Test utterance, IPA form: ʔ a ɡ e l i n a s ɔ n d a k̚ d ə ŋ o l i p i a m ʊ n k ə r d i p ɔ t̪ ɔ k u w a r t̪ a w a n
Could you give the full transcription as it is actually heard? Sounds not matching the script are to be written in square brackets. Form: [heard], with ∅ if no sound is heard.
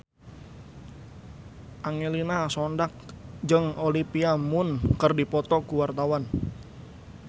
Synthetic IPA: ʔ a [ŋ] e l i n a s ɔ n d a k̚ [d͡ʒ] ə ŋ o l i p i a m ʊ n k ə r d i p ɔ t̪ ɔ k u w a r t̪ a w a n